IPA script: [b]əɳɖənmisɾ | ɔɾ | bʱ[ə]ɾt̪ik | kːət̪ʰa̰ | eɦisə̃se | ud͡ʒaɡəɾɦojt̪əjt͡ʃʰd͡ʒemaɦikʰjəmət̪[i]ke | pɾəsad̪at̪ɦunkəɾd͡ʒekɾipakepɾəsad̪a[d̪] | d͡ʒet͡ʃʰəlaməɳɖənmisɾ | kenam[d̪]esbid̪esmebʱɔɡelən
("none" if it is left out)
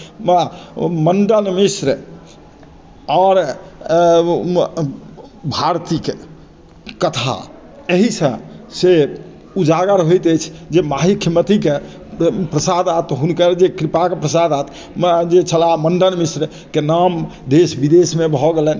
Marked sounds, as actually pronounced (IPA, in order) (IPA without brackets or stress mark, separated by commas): m, a, i, t̪, d̪